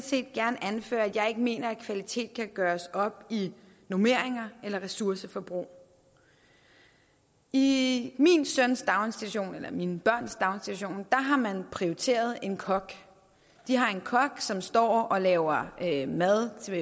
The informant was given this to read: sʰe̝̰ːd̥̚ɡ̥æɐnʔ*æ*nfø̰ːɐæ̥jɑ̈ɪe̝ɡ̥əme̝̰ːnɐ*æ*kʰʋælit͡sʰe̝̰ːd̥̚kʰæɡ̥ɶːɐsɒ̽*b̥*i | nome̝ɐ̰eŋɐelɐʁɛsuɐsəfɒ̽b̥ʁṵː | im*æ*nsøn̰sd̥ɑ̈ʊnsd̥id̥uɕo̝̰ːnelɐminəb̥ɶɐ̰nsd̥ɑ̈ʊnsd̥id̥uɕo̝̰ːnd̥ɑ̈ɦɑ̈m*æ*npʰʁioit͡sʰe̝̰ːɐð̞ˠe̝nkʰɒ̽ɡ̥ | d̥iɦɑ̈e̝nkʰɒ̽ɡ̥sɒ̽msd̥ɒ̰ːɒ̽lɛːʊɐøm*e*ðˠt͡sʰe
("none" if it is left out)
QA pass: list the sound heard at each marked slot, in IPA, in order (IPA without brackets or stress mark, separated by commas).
æ, æ, b̥, i, æ, æ